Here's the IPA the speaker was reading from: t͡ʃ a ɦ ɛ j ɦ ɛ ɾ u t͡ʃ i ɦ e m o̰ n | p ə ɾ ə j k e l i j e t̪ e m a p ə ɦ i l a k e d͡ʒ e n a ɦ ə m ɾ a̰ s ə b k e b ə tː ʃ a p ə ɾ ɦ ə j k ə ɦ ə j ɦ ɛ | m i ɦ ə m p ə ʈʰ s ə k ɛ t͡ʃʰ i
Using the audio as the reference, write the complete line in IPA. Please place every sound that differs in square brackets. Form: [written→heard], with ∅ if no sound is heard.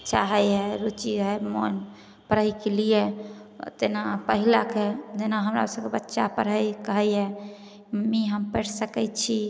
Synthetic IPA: t͡ʃ a ɦ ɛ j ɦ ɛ ɾ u t͡ʃ i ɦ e m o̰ n | p ə ɾ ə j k e l i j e t̪ e [m→n] a p ə ɦ i l a k e d͡ʒ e n a ɦ ə m ɾ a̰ s ə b k e b ə tː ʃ a p ə ɾ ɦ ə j k ə ɦ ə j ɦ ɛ | m i ɦ ə m p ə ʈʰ s ə k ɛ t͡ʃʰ i

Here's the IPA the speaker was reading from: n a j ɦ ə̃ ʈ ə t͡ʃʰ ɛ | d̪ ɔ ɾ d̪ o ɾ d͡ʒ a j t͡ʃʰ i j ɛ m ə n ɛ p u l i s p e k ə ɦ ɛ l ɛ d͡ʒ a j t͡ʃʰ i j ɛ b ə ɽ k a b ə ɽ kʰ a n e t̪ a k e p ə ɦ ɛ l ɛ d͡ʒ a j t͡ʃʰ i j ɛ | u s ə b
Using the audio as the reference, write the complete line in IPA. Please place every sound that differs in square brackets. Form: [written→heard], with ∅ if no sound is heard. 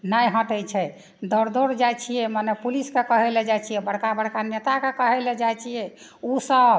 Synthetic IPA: n a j ɦ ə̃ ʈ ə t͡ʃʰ ɛ | d̪ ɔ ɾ d̪ o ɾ d͡ʒ a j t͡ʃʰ i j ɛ m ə n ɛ p u l i s [p→k] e k ə ɦ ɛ l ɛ d͡ʒ a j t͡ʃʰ i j ɛ b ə ɽ k a b ə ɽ [kʰ→k] a n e t̪ a k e [p→k] ə ɦ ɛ l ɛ d͡ʒ a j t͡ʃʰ i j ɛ | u s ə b

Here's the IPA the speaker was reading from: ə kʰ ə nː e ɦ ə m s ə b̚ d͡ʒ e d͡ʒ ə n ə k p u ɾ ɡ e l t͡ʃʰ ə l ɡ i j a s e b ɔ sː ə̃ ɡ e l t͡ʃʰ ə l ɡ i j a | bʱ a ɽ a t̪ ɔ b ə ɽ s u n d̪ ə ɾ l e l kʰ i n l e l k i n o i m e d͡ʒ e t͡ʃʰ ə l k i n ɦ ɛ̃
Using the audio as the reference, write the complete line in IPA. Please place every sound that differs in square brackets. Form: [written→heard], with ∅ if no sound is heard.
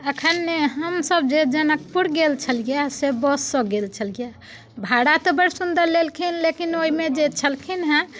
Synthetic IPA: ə kʰ ə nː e ɦ ə m s ə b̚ d͡ʒ e d͡ʒ ə n ə k p u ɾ ɡ e l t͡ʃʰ ə l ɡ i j a s e b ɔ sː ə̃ ɡ e l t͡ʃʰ ə l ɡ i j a | bʱ a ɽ a t̪ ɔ b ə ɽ s u n d̪ ə ɾ l e l kʰ i n l e [l→∅] k i n o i m e d͡ʒ e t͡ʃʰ ə l [k→kʰ] i n ɦ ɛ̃

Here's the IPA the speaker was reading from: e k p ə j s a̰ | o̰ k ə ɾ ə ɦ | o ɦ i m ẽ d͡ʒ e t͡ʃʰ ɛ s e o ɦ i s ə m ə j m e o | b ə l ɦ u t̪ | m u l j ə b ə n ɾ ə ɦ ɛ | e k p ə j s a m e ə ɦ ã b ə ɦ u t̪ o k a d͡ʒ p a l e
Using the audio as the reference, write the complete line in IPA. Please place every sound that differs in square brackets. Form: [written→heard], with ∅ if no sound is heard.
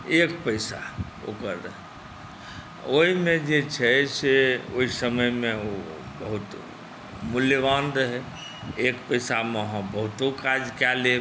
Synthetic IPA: e k p ə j s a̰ | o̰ k ə ɾ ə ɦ | o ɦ i m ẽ d͡ʒ e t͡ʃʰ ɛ s e o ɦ i s ə m ə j m e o | b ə [l→∅] ɦ u t̪ | m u l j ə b [ə→a] n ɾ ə ɦ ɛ | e k p ə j s a m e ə ɦ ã b ə ɦ u t̪ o k a d͡ʒ [p→k] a l e

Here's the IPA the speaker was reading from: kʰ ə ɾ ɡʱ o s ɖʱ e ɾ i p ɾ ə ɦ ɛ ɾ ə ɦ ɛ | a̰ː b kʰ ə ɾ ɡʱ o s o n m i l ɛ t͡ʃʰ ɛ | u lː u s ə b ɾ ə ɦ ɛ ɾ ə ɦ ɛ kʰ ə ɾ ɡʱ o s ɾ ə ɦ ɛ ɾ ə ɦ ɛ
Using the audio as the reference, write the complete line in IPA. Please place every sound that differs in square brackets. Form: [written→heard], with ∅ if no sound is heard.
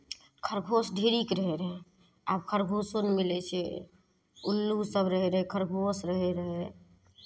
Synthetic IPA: kʰ ə ɾ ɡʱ o s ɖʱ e ɾ i [p→k] ɾ ə ɦ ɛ ɾ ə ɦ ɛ | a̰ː b kʰ ə ɾ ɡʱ o s o n m i l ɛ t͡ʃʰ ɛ | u lː u s ə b ɾ ə ɦ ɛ ɾ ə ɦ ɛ kʰ ə ɾ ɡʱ o s ɾ ə ɦ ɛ ɾ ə ɦ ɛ

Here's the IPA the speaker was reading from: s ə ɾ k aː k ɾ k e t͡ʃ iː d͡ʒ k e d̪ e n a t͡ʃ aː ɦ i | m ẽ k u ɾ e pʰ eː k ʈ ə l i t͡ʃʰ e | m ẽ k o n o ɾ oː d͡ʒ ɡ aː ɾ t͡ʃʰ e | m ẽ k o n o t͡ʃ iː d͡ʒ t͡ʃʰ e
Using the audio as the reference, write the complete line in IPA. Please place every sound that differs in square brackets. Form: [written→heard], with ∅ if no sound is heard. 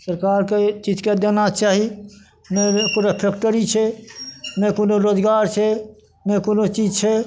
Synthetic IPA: s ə ɾ k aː [k→∅] ɾ k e t͡ʃ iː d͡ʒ k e d̪ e n a t͡ʃ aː ɦ i | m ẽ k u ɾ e pʰ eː k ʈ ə [l→ɾ] i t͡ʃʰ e | m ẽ k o n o ɾ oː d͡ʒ ɡ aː ɾ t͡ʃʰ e | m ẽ k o n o t͡ʃ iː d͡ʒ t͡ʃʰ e

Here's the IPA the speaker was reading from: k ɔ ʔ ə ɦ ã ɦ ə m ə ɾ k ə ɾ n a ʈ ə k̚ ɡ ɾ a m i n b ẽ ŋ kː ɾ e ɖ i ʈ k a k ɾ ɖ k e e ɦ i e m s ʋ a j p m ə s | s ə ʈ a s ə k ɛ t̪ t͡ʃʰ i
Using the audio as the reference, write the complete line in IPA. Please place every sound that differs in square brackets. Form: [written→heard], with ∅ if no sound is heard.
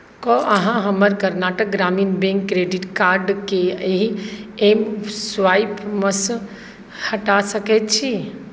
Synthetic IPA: k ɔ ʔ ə ɦ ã ɦ ə m ə ɾ k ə ɾ n a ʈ ə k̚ ɡ ɾ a m i n b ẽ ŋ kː ɾ e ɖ i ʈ k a [k→∅] ɾ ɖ k e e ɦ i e m s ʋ a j p m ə s | [s→h] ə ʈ a s ə k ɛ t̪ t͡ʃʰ i

